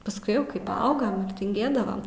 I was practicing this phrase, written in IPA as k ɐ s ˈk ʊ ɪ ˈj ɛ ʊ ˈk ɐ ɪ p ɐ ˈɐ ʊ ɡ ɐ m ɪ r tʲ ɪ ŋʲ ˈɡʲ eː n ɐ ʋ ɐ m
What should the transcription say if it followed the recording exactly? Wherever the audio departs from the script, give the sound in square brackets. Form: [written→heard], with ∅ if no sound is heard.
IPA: [k→p] ɐ s ˈk ʊ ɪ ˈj ɛ ʊ ˈk ɐ ɪ p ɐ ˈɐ ʊ ɡ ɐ m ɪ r tʲ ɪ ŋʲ ˈɡʲ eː [n→d] ɐ ʋ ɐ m